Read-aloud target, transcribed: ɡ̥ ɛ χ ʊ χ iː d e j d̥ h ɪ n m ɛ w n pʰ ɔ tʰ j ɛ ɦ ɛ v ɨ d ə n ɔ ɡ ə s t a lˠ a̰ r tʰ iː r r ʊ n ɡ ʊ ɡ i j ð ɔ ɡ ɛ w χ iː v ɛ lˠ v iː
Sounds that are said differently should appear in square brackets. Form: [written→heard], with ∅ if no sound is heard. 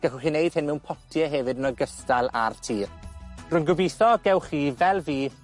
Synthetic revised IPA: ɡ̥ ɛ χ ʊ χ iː [d→n] e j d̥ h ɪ n m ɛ w n pʰ ɔ tʰ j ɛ ɦ ɛ v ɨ d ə n ɔ ɡ ə s t a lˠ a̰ r tʰ iː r r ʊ n ɡ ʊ [ɡ→b] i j [ð→θ] ɔ ɡ ɛ w χ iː v ɛ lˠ v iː